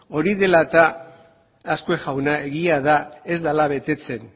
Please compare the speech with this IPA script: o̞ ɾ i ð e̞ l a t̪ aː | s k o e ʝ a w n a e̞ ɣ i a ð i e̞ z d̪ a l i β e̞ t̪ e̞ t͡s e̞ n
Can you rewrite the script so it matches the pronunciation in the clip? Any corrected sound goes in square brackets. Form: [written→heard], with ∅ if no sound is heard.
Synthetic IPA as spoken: o̞ ɾ i ð e̞ l a t̪ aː | s k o e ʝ a w n a e̞ ɣ i a ð [i→a] e̞ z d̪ a l [i→a] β e̞ t̪ e̞ t͡s e̞ n